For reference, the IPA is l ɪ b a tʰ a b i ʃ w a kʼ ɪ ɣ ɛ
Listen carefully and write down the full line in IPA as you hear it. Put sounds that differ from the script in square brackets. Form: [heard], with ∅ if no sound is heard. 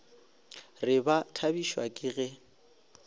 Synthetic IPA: [r] ɪ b a tʰ a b i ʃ w a kʼ ɪ ɣ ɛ